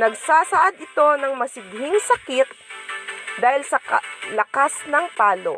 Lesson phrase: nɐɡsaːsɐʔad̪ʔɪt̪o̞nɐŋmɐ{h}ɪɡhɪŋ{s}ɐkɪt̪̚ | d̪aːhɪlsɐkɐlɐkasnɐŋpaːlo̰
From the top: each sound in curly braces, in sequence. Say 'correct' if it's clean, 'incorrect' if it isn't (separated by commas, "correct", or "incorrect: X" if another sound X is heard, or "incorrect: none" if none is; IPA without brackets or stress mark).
incorrect: s, correct